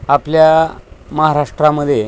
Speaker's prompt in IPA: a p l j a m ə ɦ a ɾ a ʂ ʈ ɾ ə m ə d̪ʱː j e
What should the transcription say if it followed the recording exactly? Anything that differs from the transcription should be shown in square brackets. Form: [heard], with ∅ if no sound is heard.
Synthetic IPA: a p l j a m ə ɦ a ɾ a ʂ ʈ ɾ [a] m ə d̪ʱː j e